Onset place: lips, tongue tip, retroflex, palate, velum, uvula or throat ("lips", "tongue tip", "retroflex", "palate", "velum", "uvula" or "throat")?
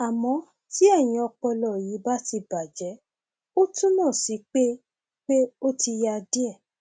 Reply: lips